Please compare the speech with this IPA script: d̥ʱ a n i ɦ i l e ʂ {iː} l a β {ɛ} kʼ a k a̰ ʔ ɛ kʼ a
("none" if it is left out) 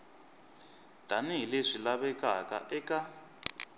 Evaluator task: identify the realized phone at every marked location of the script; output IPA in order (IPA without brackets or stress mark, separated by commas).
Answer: i, ɛ